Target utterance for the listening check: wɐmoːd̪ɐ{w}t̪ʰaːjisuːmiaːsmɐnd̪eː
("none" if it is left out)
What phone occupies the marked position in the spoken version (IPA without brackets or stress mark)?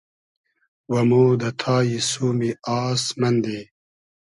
none